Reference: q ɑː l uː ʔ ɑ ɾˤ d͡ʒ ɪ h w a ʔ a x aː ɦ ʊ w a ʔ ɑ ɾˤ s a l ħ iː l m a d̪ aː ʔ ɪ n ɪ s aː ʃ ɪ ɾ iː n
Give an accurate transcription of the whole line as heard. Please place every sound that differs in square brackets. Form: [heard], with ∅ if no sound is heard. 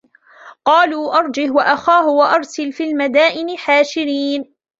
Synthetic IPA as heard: q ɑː l uː ʔ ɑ ɾˤ d͡ʒ ɪ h w a ʔ a x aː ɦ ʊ w a ʔ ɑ ɾˤ s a l [f] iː l m a d̪ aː ʔ ɪ n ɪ [ħ] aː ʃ ɪ ɾ iː n